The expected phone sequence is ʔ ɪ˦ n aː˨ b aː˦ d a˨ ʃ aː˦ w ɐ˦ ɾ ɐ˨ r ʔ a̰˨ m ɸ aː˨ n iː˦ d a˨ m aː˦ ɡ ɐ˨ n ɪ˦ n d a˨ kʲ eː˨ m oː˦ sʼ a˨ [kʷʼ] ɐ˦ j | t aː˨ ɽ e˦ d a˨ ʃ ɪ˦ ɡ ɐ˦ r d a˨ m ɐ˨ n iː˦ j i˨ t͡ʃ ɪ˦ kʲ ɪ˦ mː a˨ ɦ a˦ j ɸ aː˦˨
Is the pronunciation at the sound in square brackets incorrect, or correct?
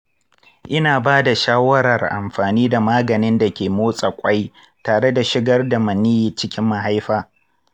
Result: correct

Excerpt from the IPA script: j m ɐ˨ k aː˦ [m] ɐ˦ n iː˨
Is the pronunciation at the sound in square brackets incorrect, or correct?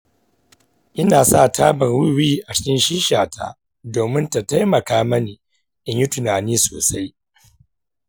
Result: correct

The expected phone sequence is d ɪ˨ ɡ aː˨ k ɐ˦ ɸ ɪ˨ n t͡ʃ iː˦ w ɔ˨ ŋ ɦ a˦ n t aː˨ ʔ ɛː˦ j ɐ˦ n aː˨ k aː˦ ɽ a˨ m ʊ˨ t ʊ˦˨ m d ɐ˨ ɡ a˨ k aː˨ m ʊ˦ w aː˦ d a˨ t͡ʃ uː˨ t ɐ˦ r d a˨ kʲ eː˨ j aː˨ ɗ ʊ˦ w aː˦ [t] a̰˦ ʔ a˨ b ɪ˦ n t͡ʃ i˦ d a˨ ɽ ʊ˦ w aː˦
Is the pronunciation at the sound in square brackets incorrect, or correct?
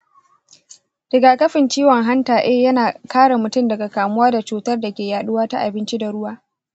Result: correct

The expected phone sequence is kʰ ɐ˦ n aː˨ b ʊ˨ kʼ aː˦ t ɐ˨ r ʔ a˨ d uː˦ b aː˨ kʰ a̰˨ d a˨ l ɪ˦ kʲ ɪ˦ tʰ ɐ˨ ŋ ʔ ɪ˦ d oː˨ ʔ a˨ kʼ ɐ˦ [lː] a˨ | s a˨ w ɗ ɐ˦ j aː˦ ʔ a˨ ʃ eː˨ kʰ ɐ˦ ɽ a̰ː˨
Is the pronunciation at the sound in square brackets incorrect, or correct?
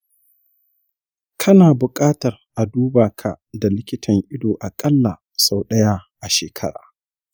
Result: correct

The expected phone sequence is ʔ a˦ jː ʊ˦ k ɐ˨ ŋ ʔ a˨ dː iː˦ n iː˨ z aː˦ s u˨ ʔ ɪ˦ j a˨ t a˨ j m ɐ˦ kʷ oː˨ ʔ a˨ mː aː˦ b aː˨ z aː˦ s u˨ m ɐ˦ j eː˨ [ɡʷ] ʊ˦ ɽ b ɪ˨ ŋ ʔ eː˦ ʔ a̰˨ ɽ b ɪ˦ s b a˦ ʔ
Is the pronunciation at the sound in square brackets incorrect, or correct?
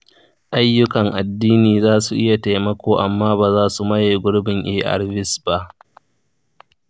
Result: correct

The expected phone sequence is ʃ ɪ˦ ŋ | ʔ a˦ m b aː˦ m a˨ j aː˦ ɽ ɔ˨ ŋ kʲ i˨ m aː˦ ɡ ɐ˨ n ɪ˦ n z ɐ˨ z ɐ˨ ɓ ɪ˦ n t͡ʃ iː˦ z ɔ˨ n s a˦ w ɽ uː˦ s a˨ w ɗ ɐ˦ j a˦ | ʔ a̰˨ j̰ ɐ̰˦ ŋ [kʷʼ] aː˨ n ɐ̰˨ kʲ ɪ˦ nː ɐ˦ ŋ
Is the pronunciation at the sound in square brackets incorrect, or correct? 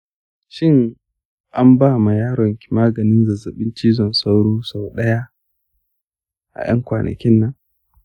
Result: incorrect: kʷ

